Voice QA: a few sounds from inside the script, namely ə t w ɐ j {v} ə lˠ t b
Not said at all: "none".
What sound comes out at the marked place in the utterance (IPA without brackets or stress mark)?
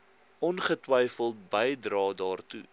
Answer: f